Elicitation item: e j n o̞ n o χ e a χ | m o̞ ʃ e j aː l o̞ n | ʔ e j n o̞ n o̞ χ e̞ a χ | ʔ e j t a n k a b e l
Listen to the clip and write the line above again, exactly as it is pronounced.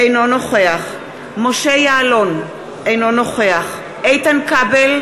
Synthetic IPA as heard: e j n o̞ n o χ e a χ | m o̞ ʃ e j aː l o̞ n | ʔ e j n o̞ n o̞ χ e̞ a χ | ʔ e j t a n k a b e l